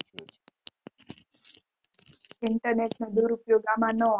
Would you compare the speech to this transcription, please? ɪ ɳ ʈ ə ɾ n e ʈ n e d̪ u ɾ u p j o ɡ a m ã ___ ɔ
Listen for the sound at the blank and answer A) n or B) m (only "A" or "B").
A